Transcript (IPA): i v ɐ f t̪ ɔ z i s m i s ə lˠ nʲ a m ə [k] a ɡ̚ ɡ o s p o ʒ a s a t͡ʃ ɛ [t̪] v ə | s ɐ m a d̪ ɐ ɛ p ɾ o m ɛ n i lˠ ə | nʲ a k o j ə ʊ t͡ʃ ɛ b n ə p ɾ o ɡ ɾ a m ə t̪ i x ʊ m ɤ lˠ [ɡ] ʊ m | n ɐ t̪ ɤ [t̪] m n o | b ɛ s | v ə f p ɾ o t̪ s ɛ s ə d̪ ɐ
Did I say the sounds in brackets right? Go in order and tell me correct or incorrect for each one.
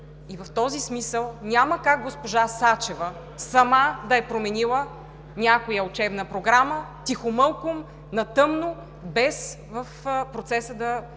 correct, incorrect: none, incorrect: k, incorrect: none

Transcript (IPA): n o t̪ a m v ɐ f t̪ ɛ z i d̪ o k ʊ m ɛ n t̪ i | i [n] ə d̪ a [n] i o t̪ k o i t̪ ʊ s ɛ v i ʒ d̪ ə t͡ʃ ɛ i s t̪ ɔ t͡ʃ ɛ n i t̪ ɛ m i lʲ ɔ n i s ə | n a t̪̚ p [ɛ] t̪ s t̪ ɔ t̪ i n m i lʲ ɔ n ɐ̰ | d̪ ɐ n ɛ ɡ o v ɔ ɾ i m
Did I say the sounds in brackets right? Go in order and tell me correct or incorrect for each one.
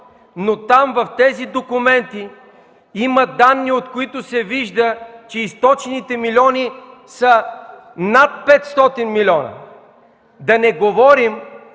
incorrect: m, incorrect: nː, correct

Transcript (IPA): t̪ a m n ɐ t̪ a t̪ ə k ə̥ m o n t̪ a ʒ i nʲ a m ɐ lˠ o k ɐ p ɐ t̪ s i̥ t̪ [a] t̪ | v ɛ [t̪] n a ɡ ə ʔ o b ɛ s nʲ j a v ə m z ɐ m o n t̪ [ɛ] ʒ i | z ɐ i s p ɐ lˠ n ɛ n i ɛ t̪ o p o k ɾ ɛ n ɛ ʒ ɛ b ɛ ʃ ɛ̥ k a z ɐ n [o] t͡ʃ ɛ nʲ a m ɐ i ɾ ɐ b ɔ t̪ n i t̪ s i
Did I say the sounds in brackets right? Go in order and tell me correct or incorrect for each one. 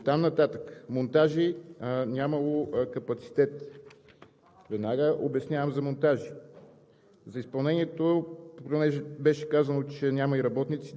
incorrect: ɛ, incorrect: d̪, incorrect: a, correct

